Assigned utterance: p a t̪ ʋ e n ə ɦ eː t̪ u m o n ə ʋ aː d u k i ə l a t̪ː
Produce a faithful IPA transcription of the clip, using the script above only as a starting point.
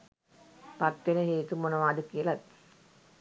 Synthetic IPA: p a t̪ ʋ e n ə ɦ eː t̪ u m o n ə ʋ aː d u k i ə l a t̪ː